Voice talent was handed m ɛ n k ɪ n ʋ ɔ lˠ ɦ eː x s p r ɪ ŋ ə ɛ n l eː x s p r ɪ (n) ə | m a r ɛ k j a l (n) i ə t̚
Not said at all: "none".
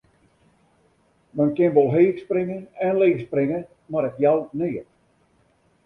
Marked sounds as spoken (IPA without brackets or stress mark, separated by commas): ŋ, n